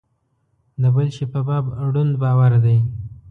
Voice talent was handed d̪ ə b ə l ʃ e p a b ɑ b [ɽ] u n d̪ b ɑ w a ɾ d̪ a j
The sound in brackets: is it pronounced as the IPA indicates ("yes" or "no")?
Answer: yes